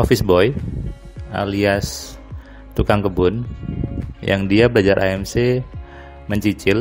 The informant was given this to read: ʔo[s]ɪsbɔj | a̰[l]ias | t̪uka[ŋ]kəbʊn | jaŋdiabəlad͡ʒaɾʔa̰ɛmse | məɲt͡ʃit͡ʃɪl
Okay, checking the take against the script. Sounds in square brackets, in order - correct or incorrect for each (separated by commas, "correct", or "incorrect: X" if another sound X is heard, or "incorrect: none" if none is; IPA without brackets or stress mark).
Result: incorrect: f, correct, correct